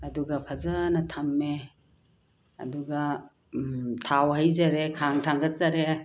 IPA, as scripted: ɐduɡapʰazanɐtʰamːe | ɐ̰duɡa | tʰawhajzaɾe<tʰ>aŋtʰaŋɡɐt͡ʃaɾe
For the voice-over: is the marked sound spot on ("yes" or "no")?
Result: no